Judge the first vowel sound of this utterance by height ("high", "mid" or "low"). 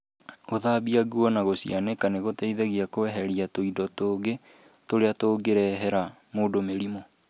mid